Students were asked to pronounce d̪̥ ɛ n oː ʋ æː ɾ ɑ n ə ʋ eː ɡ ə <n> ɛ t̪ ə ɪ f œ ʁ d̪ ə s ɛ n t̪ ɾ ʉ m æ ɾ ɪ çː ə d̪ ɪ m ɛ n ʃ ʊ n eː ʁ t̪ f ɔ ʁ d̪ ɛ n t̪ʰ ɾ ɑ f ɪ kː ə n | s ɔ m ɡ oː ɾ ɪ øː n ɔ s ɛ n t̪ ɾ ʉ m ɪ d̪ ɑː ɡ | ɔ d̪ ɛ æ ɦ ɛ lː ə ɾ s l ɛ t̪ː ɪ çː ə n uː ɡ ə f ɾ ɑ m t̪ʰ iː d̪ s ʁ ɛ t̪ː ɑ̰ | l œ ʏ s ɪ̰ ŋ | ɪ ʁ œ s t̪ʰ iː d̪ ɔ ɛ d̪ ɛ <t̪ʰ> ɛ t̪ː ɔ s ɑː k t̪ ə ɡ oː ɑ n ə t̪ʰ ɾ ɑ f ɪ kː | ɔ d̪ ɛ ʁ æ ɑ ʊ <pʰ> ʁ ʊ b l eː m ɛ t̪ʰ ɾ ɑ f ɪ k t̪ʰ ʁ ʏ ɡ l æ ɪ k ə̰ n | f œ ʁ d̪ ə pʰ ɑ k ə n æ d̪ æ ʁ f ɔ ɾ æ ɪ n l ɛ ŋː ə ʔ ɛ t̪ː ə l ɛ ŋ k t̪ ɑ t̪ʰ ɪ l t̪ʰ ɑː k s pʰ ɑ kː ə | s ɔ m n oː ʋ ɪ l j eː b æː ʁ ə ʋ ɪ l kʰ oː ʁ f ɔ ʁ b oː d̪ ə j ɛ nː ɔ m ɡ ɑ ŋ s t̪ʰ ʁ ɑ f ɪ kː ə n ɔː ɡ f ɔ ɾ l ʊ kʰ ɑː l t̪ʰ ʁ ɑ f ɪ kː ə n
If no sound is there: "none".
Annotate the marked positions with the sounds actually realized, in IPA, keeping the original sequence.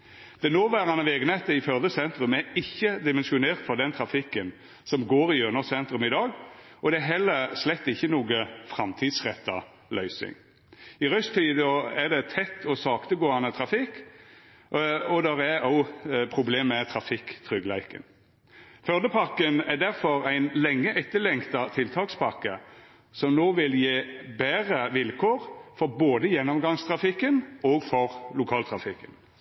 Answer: n, t̪ʰ, pʰ

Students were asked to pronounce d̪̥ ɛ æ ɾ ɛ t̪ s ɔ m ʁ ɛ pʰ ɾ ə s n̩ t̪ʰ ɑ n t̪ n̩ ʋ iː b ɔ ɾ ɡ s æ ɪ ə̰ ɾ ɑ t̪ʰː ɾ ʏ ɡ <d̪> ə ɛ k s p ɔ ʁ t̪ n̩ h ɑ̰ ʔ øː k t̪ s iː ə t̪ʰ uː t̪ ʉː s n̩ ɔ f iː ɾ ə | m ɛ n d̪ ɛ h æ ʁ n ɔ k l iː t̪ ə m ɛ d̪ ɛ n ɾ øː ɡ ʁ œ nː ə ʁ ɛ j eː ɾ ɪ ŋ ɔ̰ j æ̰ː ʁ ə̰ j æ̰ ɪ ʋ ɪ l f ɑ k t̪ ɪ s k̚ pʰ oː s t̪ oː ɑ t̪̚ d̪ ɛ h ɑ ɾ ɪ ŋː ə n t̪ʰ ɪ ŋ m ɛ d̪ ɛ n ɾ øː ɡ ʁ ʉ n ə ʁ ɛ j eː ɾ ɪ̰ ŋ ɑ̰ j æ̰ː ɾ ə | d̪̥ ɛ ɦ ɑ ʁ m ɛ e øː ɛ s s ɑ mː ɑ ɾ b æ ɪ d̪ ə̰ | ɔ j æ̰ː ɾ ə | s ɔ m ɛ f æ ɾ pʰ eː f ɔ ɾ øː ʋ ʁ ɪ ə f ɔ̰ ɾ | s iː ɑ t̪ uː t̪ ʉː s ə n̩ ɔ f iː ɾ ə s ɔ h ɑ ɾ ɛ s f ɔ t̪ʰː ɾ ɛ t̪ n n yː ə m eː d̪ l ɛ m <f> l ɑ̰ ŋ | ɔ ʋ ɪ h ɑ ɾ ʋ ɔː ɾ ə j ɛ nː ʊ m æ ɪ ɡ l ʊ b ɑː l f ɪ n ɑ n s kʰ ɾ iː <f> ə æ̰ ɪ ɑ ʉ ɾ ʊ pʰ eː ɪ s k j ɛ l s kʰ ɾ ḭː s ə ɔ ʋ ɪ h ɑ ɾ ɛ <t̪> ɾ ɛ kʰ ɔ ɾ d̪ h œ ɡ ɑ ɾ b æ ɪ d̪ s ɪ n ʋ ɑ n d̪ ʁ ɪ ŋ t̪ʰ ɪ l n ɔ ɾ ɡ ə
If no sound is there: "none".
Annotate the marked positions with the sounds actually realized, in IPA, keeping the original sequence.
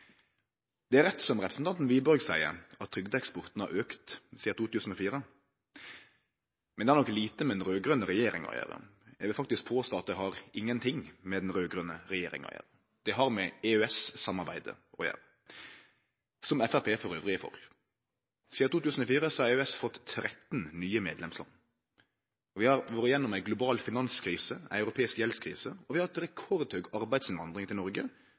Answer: d̪, s, s, t̪

